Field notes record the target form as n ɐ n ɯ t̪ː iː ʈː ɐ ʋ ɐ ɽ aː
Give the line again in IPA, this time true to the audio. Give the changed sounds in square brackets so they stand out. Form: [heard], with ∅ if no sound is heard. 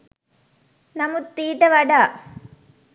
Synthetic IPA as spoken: n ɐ [m] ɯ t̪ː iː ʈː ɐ ʋ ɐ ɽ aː